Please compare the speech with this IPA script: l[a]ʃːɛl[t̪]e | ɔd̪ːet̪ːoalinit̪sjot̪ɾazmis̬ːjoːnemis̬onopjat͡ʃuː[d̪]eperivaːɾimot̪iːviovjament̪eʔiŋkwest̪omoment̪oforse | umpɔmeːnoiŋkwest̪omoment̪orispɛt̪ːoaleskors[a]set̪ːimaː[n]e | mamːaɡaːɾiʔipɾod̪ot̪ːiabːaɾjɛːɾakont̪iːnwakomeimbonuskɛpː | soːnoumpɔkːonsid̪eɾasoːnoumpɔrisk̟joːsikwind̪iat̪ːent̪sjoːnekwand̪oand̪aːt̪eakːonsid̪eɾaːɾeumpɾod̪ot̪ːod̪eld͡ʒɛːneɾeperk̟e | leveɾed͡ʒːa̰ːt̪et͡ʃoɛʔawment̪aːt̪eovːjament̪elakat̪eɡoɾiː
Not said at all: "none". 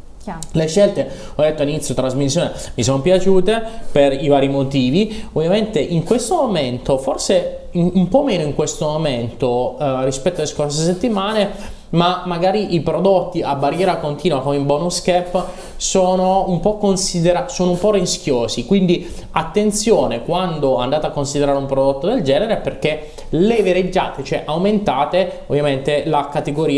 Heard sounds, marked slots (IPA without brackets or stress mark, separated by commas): e, t̪, t̪, e, n